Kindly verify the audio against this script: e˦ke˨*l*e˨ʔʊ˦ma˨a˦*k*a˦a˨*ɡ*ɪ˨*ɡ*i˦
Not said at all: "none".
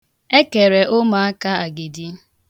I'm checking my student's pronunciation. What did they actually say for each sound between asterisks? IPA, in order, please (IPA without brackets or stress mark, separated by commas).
ɾ, k, ɡ, d